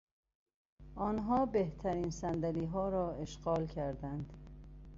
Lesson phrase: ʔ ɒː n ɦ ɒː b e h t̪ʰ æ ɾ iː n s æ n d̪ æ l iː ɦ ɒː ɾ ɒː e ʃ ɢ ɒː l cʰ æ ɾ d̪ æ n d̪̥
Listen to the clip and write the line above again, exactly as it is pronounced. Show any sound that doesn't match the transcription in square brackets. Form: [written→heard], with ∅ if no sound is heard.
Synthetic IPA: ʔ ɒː n ɦ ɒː b e h t̪ʰ æ ɾ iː n s æ n d̪ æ l iː ɦ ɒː ɾ ɒː e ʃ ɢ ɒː l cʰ æ ɾ d̪ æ n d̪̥